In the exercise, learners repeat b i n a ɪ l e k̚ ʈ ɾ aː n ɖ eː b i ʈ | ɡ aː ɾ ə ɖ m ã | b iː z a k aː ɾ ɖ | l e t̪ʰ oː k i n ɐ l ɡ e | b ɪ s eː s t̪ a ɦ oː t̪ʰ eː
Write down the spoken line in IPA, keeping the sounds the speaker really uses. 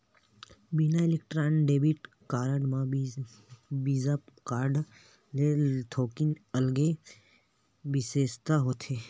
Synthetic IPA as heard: b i n a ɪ l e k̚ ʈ ɾ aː n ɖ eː b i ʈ | k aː ɾ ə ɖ m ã | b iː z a k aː ɾ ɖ | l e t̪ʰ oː k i n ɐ l ɡ e | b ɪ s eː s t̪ a ɦ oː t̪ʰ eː

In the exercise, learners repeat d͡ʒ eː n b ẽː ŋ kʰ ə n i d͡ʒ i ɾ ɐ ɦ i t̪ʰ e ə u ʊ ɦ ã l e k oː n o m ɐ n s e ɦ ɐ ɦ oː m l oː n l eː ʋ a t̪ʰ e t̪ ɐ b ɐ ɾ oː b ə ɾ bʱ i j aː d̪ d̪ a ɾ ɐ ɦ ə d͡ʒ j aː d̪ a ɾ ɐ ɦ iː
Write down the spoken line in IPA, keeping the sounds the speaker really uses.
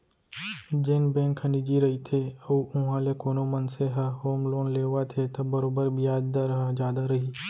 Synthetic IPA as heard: d͡ʒ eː n b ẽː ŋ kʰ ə n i d͡ʒ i ɾ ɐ ɦ i t̪ʰ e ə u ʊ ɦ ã l e k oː n o m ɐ n s e ɦ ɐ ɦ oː m l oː n l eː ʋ a t̪ʰ e t̪ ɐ b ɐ ɾ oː b ə ɾ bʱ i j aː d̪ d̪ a ɾ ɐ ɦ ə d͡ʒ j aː d̪ a ɾ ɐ ɦ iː

